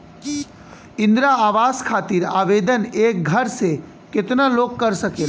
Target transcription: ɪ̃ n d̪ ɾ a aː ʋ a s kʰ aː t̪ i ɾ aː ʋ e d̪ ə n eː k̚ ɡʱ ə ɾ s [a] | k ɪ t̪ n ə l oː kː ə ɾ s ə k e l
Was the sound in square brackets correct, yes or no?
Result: no